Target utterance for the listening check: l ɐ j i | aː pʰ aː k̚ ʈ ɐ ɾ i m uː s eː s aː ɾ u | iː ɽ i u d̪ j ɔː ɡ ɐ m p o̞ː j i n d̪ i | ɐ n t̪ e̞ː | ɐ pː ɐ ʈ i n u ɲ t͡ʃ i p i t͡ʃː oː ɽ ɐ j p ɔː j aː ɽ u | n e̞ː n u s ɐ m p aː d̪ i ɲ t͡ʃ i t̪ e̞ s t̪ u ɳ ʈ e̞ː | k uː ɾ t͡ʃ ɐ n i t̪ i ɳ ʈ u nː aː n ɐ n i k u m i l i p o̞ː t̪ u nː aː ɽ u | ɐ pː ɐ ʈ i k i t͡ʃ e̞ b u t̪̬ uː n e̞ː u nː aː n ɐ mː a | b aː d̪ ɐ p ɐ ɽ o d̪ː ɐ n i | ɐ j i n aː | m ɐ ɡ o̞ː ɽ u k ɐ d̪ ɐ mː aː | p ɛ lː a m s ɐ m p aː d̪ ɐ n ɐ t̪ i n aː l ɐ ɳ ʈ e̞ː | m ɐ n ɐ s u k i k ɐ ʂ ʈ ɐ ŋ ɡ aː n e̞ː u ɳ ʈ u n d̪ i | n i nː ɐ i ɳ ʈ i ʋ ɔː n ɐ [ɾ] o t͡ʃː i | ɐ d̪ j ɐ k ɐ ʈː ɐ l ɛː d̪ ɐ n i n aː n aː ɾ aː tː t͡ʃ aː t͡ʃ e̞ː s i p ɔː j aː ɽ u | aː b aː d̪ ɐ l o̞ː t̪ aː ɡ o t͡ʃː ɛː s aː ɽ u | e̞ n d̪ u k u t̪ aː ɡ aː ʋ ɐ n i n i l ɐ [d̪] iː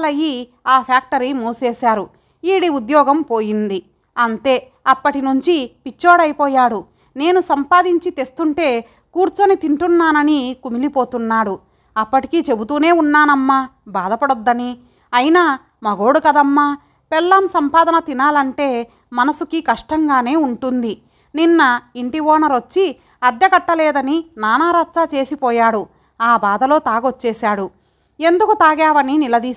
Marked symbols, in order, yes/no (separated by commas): yes, yes